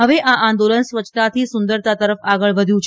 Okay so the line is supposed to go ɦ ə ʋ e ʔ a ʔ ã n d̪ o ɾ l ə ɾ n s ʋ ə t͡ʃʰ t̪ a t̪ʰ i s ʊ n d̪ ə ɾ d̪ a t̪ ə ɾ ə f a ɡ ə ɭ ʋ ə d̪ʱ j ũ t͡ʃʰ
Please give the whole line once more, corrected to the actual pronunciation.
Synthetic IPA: ɦ ə ʋ e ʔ a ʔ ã n d̪ o l ə n s ʋ ə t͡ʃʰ t̪ a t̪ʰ i s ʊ n d̪ ə ɾ t̪ a t̪ ə ɾ ə f a ɡ ə ɭ ʋ ə d̪ʱ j ũ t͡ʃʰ

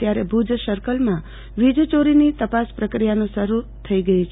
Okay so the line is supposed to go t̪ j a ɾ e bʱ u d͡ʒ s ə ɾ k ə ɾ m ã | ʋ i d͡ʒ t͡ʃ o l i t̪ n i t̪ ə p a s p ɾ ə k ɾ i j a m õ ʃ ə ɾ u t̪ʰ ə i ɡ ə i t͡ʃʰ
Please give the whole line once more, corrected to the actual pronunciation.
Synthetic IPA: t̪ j a ɾ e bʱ u d͡ʒ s ə ɾ k ə l m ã | ʋ i d͡ʒ t͡ʃ o ɾ i n i t̪ ə p a s p ɾ ə k ɾ i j a n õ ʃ ə ɾ u t̪ʰ ə i ɡ ə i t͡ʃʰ

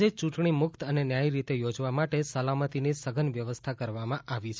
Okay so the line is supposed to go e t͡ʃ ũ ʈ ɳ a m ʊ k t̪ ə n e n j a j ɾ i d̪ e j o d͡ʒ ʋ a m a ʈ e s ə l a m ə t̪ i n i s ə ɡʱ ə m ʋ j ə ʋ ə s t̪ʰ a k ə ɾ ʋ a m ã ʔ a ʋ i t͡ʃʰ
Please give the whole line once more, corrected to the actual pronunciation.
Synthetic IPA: e t͡ʃ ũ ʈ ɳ i m ʊ k t̪ ə n e n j a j ɾ i t̪ e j o d͡ʒ ʋ a m a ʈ e s ə l a m ə t̪ i n i s ə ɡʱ ə n ʋ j ə ʋ ə s t̪ʰ a k ə ɾ ʋ a m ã ʔ a ʋ i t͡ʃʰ

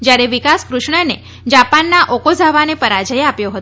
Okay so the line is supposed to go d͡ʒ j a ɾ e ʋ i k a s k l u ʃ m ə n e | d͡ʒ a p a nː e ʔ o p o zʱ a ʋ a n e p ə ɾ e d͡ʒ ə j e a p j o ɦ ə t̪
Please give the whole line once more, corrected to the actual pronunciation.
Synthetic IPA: d͡ʒ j a ɾ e ʋ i k a s k ɾ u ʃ ɳ ə n e | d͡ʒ a p a nː a ʔ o k o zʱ a ʋ a n e p ə ɾ a d͡ʒ ə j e a p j o ɦ ə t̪

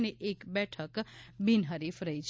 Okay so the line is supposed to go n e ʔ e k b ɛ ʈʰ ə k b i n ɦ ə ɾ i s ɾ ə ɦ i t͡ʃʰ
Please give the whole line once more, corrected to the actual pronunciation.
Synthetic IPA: n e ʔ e k b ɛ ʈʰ ə k b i n ɦ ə ɾ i f ɾ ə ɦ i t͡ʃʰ

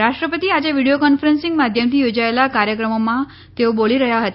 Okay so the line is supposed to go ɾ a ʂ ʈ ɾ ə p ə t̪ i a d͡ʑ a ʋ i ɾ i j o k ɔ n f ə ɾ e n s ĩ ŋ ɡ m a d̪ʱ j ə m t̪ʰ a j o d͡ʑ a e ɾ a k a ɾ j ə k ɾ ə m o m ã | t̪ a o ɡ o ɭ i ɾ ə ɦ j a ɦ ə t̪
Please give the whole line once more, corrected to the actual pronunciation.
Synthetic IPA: ɾ a ʂ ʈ ɾ ə p ə t̪ i a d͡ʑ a ʋ i ɽ i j o k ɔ n f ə ɾ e n s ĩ ŋ ɡ m a d̪ʱ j ə m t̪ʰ i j o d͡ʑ a e l a k a ɾ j ə k ɾ ə m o m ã | t̪ e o b o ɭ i ɾ ə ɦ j a ɦ ə t̪

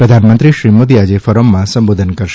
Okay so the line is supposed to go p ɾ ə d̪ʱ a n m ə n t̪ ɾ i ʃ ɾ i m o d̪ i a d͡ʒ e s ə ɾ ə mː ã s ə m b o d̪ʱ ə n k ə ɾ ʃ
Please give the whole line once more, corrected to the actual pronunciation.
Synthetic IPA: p ɾ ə d̪ʱ a n m ə n t̪ ɾ i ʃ ɾ i m o d̪ i a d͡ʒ e f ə ɾ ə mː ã s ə m b o d̪ʱ ə n k ə ɾ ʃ

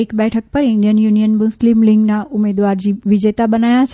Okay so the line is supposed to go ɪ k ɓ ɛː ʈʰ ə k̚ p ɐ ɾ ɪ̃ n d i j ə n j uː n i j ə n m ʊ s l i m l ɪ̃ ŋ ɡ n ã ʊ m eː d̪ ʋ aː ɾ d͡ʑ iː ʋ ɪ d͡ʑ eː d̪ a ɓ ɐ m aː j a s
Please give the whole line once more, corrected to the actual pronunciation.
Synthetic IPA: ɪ k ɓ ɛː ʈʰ ə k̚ p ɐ ɾ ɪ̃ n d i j ə n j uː n i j ə n m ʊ s l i m l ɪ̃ ŋ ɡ n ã ʊ m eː d̪ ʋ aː ɾ d͡ʑ iː ʋ ɪ d͡ʑ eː t̪ a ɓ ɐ n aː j a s

